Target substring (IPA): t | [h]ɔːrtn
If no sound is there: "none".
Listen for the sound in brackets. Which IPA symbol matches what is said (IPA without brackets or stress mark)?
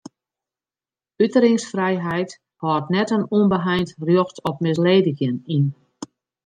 h